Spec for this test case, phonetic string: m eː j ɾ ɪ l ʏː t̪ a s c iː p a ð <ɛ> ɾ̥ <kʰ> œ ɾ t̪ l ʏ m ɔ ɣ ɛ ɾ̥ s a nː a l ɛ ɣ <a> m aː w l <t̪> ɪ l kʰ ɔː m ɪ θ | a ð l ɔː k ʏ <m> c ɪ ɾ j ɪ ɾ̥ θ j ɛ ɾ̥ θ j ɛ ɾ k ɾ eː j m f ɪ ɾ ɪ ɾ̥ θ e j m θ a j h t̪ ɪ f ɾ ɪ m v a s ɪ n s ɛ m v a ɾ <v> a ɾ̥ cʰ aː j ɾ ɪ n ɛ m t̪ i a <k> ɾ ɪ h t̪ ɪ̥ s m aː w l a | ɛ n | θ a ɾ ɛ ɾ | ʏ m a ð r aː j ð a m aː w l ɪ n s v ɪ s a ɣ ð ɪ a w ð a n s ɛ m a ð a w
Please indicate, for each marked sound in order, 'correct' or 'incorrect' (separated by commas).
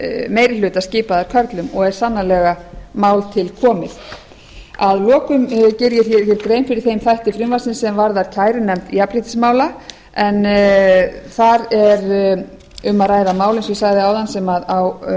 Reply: incorrect, correct, correct, incorrect, correct, incorrect, incorrect